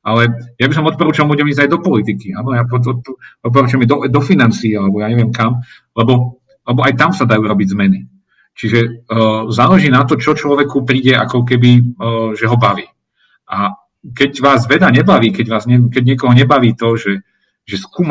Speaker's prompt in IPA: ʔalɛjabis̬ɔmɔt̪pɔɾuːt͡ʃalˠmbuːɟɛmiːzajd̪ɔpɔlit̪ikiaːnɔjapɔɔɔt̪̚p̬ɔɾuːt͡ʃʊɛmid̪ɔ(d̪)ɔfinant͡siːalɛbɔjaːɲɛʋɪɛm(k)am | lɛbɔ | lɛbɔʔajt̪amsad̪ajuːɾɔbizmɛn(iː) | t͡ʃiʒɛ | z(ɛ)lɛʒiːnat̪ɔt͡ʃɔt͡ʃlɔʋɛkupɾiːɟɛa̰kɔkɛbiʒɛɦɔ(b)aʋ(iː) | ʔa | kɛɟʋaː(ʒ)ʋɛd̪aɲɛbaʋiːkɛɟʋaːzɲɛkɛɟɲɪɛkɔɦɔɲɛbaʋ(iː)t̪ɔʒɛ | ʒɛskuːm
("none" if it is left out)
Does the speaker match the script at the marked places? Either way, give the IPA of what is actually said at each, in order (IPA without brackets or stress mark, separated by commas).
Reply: d̪, k, i, a, b, iː, z, iː